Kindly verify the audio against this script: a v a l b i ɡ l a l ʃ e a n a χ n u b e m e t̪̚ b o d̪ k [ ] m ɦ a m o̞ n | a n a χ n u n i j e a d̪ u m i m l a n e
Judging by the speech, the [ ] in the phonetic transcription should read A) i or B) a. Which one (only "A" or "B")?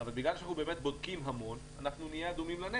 A